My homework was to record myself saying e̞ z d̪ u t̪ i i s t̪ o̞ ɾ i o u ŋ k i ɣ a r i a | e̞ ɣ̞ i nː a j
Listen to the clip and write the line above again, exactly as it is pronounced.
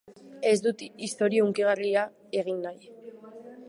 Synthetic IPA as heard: e̞ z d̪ u t̪ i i s t̪ o̞ ɾ i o u ŋ k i ɣ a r i a | e̞ ɣ̞ i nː a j